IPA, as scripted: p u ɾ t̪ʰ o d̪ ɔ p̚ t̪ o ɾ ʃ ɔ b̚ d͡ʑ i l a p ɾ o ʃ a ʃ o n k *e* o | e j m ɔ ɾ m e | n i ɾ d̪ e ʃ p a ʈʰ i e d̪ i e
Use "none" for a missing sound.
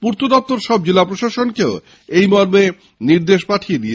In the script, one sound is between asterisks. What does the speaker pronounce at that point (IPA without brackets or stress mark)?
e